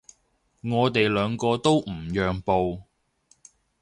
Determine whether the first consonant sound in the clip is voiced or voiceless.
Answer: voiced